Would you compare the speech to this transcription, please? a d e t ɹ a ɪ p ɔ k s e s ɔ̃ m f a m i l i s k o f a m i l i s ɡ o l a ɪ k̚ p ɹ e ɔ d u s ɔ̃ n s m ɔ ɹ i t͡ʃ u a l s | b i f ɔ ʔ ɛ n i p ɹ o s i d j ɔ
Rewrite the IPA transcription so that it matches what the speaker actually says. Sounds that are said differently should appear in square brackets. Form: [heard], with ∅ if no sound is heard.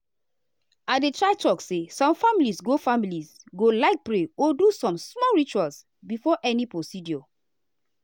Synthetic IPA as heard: a d e t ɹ a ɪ [t] ɔ k s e s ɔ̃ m f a m i l i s [ɡ] o f a m i l i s ɡ o l a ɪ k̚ p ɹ e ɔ d u s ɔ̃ [m] s m ɔ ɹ i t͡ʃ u a l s | b i f ɔ ʔ ɛ n i p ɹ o s i d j ɔ